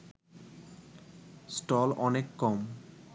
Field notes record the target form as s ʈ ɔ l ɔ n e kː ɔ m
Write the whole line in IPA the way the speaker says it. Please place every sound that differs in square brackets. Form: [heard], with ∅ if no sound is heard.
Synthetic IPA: s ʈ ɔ l ɔ n e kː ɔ m